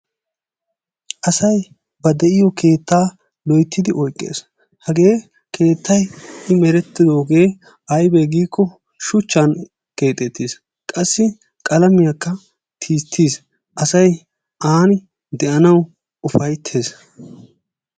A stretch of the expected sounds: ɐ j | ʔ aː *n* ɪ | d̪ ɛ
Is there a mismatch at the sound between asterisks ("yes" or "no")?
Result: no